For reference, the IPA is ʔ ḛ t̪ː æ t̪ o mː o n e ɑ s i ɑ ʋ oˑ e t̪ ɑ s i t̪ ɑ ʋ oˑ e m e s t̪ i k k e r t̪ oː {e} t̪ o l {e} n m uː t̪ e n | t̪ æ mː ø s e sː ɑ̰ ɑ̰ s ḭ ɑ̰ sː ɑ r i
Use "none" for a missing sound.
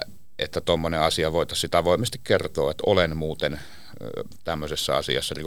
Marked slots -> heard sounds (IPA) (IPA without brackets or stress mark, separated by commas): e, e